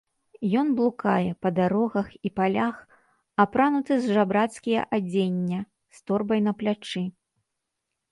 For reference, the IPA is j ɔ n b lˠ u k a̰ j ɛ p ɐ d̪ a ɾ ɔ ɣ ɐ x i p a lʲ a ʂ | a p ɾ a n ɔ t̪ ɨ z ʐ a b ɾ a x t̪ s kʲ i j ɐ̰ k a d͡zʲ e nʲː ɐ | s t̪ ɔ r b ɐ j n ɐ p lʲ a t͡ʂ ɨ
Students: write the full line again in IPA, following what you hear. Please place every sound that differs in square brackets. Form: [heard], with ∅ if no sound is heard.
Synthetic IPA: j ɔ n b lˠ u k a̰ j ɛ p ɐ d̪ a ɾ ɔ ɣ ɐ x i p a lʲ a [x] | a p ɾ a n [u] t̪ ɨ z ʐ a b ɾ a [∅] t̪ s kʲ i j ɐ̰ [ʔ] a d͡zʲ e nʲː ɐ | s t̪ ɔ r b ɐ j n ɐ p lʲ a t͡ʂ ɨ